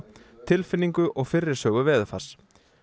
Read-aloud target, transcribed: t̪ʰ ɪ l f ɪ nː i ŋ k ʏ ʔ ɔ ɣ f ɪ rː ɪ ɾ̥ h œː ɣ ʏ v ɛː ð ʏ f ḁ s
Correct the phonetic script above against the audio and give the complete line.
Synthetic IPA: t̪ʰ ɪ l f ɪ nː i ŋ k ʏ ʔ ɔ ɣ f ɪ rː ɪ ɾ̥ s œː ɣ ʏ v ɛː ð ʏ f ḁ s